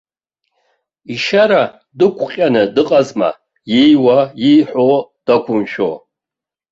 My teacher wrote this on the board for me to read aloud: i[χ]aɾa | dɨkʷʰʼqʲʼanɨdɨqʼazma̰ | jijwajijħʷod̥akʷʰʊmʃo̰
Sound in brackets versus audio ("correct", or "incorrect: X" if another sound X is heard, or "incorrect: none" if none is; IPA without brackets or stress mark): incorrect: ʃ